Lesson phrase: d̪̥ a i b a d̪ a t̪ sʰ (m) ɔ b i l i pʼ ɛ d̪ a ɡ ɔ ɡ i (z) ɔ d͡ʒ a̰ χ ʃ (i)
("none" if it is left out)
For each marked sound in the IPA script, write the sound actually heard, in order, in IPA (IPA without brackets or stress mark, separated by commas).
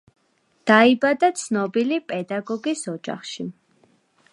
n, s, i